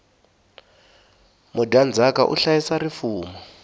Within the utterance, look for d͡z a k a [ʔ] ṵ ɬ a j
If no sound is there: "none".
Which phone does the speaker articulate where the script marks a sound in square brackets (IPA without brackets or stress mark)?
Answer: ʔ